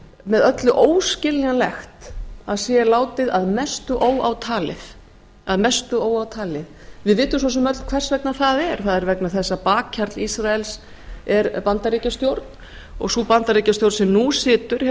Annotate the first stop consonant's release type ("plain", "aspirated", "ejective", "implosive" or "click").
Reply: plain